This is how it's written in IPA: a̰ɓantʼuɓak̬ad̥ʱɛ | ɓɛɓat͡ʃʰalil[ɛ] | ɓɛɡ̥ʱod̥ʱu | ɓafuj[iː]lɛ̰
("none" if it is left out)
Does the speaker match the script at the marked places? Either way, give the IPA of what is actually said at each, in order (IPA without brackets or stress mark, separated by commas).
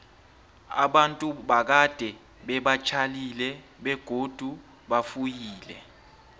ɛ, iː